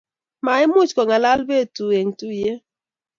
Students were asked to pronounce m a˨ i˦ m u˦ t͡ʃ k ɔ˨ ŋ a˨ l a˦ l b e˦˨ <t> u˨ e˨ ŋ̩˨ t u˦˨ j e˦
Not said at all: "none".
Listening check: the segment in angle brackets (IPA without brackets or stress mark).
t